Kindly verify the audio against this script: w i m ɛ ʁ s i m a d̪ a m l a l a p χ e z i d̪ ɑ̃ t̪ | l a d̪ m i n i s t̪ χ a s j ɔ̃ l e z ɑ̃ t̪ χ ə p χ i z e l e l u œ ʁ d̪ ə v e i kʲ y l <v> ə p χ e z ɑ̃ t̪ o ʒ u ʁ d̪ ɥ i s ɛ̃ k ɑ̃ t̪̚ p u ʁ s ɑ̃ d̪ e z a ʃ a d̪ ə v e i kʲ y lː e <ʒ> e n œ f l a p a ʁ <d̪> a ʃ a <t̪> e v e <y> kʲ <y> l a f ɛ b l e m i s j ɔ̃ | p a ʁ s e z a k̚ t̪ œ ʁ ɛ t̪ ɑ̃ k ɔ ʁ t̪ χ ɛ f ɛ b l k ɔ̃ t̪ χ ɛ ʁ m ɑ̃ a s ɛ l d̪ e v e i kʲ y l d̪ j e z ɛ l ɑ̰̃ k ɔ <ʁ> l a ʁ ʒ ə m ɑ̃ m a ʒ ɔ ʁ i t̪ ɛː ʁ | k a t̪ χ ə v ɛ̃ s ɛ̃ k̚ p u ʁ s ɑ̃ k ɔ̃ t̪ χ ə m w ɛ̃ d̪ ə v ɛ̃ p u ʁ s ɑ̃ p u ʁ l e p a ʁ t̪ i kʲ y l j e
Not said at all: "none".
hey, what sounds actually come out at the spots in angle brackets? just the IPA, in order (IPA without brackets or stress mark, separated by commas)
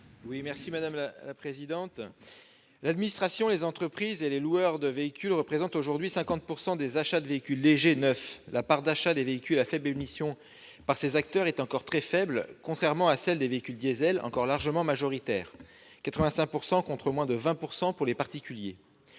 ʁ, ʒ, d̪, d̪, i, y, ʁ